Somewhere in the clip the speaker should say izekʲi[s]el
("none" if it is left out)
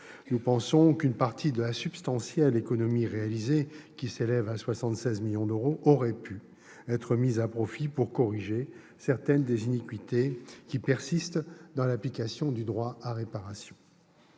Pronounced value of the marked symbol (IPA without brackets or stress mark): s